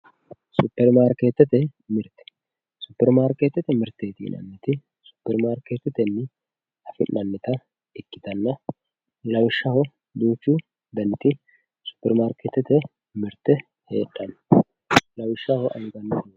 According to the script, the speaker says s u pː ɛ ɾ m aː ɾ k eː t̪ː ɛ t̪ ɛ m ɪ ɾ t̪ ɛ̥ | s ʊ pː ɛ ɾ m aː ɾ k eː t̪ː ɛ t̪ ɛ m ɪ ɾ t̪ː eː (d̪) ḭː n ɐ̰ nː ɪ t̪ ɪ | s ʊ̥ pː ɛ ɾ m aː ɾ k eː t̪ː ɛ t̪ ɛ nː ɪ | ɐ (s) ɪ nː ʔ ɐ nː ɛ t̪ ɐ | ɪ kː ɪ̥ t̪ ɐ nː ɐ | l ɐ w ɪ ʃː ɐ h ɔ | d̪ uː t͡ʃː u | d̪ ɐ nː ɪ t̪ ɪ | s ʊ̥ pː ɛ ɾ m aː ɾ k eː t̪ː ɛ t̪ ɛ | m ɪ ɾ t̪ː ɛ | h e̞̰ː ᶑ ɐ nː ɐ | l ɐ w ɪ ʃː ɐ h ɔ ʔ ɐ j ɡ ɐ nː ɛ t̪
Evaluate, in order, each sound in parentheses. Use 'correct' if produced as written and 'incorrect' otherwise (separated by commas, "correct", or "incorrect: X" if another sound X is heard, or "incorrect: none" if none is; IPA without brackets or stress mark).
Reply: incorrect: t̪, incorrect: f